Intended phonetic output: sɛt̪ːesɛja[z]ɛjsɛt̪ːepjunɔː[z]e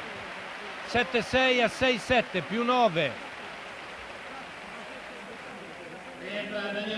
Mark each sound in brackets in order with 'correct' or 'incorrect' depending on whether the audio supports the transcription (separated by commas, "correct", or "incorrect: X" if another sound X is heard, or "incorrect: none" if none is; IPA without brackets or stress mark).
incorrect: s, incorrect: v